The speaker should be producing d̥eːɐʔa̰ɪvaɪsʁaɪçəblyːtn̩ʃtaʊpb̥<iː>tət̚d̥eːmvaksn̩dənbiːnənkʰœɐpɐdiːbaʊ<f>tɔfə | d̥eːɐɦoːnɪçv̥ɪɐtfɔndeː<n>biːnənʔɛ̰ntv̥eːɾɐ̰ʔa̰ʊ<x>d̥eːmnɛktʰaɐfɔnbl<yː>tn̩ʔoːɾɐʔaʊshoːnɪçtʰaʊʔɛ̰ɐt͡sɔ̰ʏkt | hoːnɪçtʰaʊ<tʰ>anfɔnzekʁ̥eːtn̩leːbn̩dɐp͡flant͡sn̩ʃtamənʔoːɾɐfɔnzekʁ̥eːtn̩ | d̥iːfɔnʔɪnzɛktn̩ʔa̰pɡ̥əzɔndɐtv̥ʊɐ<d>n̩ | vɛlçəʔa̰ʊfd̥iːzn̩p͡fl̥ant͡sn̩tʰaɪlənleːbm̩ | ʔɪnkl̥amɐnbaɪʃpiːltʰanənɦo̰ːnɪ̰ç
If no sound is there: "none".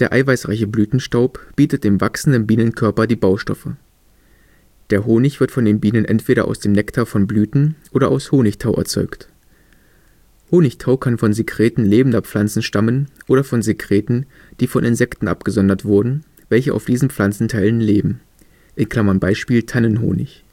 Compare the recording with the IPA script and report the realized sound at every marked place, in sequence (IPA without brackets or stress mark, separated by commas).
iː, ʃ, n, s, yː, kʰ, d